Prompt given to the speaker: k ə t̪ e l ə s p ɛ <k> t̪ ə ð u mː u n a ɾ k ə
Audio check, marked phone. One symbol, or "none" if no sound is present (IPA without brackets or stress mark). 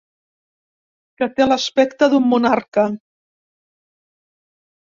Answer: k